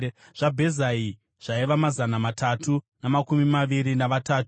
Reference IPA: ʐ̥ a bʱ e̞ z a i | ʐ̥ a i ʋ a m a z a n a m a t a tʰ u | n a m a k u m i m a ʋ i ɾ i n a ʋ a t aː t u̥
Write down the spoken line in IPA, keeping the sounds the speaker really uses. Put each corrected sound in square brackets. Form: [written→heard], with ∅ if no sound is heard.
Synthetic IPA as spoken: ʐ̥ a bʱ e̞ z a i | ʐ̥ a i ʋ a m a z a n a m a t a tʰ u | n a m a k u m i m a ʋ i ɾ i n a ʋ a t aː t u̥